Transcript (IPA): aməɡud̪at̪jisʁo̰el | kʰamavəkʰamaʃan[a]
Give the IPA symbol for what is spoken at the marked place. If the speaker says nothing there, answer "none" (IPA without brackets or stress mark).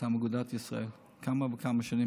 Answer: i